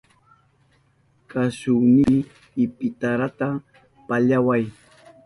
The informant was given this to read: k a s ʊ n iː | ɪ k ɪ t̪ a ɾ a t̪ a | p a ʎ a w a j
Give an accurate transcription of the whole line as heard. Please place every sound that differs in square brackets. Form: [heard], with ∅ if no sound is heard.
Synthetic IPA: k a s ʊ n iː | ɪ [p] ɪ t̪ a ɾ a t̪ a | p a ʎ a w a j